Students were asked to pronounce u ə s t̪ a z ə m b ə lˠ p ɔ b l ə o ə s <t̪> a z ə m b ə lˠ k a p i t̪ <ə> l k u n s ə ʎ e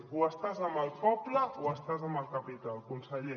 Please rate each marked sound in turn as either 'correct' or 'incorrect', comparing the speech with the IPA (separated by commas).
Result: correct, incorrect